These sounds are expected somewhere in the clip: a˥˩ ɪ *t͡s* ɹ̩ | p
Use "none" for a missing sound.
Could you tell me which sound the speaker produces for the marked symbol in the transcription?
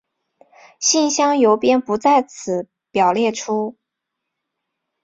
t͡sʰ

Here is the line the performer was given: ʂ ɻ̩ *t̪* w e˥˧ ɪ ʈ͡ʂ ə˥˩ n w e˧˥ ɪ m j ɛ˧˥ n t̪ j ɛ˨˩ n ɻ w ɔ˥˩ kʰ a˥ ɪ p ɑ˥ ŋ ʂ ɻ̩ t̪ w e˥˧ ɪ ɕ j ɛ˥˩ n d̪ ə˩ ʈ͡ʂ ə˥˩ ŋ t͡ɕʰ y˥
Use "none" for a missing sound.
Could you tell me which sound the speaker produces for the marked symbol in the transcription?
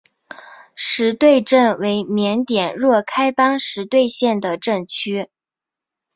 t̪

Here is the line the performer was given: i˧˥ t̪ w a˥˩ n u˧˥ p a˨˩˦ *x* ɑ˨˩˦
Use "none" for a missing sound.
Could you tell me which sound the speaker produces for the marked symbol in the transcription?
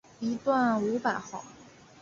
x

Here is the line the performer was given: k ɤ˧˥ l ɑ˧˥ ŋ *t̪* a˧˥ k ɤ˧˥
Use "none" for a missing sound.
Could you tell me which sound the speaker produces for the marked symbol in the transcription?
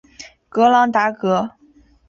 t̪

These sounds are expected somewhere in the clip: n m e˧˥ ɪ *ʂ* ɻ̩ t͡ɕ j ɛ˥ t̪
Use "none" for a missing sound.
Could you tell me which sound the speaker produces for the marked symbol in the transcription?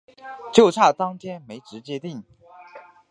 ʈ͡ʂ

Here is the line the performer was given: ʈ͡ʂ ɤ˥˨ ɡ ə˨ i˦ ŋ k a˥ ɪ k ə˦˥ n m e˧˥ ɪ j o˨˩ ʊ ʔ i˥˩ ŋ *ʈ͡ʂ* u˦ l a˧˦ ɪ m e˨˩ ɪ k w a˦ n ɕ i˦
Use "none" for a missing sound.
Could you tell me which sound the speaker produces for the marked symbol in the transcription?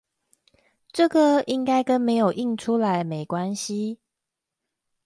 ʈ͡ʂʰ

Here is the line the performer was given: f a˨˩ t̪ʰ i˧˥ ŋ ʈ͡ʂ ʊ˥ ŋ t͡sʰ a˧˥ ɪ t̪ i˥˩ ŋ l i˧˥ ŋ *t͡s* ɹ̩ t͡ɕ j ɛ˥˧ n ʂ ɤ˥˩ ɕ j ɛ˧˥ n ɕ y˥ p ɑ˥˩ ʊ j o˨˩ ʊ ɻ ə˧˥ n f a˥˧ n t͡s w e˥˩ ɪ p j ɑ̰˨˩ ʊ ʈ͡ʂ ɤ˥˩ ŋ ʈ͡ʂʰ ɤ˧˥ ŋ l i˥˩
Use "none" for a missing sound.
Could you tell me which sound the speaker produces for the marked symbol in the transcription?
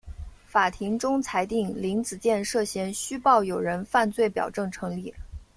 t͡s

